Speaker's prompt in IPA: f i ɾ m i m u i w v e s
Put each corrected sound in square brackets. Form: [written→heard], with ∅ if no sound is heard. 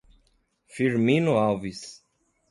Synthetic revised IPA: f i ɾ m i [m→n] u [i→a] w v [e→i] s